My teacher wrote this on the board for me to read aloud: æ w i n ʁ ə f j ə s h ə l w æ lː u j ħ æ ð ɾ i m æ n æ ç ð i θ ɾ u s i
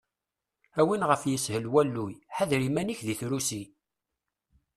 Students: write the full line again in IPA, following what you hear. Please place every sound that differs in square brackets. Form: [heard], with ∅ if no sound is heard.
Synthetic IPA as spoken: æ w i n ʁ ə f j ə s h ə l w æ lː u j ħ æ ð ɾ i m æ n [i] ç ð i θ ɾ u s i